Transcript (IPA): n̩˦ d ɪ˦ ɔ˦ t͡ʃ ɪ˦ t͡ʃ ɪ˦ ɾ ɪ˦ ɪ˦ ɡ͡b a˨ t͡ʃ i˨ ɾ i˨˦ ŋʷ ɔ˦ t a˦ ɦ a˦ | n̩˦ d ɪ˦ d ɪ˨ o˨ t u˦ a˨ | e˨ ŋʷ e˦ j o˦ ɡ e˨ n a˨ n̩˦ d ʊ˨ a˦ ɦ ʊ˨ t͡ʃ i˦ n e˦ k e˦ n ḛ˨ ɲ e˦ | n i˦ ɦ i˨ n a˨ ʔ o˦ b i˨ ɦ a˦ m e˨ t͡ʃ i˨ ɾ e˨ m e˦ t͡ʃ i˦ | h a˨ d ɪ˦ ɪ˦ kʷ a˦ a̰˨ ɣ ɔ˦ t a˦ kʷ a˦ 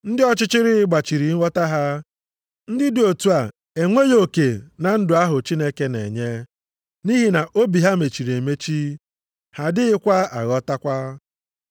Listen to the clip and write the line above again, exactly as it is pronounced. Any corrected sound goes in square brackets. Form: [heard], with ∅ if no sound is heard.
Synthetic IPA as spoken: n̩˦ d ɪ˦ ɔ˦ t͡ʃ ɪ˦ t͡ʃ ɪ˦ ɾ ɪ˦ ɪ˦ ɡ͡b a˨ t͡ʃ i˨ ɾ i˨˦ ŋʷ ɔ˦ t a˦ ɦ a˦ | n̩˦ d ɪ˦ d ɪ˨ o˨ t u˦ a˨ | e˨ ŋʷ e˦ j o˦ [k] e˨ n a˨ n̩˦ d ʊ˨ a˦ ɦ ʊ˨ t͡ʃ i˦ n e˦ k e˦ n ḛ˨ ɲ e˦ | n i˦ ɦ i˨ n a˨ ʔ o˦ b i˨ ɦ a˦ m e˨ t͡ʃ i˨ ɾ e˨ m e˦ t͡ʃ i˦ | h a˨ d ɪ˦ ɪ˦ kʷ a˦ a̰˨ ɣ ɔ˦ t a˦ kʷ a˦